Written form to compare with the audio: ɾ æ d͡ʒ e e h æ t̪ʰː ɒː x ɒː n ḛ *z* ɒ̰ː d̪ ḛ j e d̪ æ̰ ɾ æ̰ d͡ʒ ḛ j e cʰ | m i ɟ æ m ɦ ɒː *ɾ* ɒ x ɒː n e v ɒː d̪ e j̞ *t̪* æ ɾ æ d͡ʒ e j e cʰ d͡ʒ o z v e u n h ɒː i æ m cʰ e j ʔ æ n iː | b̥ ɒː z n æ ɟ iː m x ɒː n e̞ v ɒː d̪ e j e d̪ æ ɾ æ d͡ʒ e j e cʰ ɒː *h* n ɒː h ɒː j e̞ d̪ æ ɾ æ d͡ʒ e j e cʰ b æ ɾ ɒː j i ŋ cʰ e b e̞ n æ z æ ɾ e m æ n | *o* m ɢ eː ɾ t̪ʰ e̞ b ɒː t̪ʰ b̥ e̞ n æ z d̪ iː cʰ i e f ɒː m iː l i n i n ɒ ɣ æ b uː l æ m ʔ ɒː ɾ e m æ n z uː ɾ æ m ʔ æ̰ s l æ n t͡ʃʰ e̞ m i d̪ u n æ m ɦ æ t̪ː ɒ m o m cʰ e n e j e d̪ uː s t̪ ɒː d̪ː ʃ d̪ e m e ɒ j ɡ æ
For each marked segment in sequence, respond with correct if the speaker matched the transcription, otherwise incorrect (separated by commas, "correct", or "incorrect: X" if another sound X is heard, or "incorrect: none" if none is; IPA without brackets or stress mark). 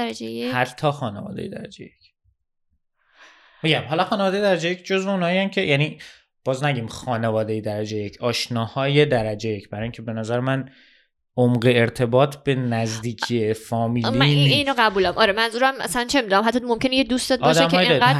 incorrect: v, incorrect: l, incorrect: d̪, incorrect: ʃ, correct